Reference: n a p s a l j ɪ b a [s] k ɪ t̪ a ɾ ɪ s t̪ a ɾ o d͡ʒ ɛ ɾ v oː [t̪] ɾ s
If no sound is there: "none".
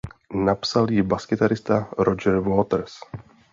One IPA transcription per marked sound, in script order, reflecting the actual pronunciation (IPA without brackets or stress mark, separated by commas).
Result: s, t̪